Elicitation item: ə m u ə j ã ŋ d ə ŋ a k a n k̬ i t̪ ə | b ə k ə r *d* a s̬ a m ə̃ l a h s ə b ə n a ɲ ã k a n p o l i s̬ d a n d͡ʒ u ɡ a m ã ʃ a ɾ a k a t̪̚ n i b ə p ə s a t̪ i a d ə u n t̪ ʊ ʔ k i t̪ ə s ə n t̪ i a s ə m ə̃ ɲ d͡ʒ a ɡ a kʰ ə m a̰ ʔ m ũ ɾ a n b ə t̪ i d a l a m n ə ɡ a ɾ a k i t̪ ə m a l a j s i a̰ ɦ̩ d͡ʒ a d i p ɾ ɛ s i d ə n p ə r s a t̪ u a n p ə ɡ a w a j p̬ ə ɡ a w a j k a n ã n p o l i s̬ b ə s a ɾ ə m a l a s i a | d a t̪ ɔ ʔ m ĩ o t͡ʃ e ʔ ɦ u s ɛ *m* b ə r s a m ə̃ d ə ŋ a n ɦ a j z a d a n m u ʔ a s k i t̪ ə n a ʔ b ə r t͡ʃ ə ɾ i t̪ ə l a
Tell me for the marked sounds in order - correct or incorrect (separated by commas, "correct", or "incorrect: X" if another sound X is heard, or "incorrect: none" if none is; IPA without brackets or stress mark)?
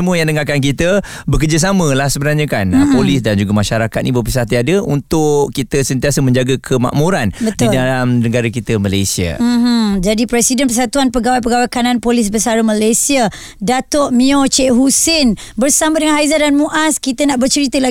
incorrect: d͡ʒ, incorrect: n